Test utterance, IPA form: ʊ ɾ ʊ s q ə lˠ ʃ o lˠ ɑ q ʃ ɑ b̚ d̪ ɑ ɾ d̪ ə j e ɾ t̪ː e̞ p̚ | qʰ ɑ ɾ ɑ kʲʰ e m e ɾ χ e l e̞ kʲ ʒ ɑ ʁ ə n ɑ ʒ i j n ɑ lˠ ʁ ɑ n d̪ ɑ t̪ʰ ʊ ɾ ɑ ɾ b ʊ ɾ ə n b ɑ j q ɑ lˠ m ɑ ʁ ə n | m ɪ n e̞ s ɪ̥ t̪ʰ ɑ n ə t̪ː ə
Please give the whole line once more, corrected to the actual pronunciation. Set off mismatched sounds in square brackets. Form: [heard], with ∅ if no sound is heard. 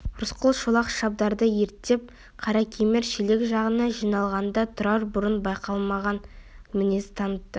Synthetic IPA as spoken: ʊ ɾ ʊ s q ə lˠ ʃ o lˠ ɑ q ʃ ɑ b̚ d̪ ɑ ɾ d̪ ə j e ɾ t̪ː e̞ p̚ | qʰ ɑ ɾ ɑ kʲʰ e m e ɾ [ʃ] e l e̞ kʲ ʒ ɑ ʁ ə n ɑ ʒ i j n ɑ lˠ ʁ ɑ n d̪ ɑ t̪ʰ ʊ ɾ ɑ ɾ b ʊ ɾ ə n b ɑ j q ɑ lˠ m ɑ ʁ [ɑ] n | m ɪ n e̞ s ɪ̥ t̪ʰ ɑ n ə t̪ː ə